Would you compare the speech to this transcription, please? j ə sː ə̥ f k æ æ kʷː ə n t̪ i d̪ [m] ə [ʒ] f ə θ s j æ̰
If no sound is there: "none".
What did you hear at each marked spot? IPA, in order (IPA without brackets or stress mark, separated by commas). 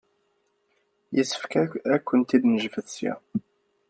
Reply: n, ʒ